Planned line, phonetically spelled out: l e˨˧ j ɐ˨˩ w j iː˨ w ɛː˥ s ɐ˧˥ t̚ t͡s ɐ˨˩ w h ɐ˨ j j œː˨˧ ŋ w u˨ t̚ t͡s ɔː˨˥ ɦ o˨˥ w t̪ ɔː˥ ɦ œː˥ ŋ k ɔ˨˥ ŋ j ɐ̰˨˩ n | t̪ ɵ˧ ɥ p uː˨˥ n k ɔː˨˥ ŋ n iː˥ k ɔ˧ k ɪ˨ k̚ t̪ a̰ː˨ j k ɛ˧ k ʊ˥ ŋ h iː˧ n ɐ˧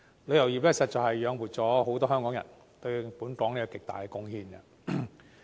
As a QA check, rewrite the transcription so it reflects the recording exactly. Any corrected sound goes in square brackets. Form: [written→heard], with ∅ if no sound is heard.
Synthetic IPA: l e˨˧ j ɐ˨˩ w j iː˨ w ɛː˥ s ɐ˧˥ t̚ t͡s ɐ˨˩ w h ɐ˨ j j œː˨˧ ŋ w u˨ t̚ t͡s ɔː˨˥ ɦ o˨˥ w t̪ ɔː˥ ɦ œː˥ ŋ k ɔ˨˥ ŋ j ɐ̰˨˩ n | t̪ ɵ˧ ɥ p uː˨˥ n k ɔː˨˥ ŋ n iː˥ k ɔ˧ k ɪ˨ k̚ t̪ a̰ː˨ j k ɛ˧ k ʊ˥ ŋ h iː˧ n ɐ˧